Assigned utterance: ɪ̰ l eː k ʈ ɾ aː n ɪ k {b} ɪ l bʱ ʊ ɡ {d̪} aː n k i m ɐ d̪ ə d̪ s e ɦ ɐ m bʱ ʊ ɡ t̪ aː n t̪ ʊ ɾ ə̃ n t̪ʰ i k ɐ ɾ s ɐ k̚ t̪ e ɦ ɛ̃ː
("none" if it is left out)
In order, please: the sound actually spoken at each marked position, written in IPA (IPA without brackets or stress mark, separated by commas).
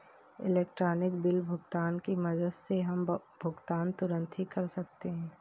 b, t̪